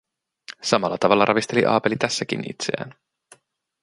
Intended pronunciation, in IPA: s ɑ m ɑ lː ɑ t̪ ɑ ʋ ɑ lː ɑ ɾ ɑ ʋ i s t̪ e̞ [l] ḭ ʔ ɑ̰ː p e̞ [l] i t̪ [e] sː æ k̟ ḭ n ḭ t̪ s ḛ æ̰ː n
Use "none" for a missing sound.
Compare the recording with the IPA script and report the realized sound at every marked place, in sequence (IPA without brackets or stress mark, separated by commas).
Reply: l, l, æ